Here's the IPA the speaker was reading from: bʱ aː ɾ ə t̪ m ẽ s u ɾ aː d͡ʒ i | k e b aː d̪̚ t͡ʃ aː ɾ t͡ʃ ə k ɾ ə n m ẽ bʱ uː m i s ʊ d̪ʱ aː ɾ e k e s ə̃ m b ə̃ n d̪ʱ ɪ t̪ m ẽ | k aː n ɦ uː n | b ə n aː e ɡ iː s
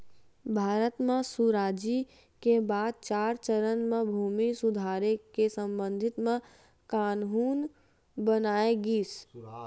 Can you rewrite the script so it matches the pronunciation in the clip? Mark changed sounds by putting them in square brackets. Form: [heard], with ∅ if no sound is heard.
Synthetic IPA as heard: bʱ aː ɾ ə t̪ m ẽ s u ɾ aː d͡ʒ i | k e b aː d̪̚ t͡ʃ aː ɾ t͡ʃ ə [∅] ɾ ə n m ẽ bʱ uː m i s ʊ d̪ʱ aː ɾ e k e s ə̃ m b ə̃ n d̪ʱ ɪ t̪ m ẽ | k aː n ɦ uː n | b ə n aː e ɡ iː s